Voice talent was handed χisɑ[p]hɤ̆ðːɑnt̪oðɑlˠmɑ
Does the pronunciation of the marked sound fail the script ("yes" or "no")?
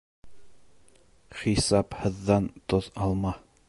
no